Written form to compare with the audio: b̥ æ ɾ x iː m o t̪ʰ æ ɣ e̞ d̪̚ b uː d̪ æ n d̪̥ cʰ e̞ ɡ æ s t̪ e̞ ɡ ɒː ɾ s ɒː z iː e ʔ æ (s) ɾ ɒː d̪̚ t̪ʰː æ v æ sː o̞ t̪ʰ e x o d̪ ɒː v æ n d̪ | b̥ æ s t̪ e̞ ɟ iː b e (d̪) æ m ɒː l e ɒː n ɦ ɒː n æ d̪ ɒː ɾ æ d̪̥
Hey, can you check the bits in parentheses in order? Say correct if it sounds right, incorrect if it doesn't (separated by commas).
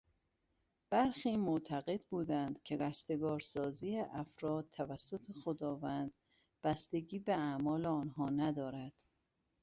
incorrect, incorrect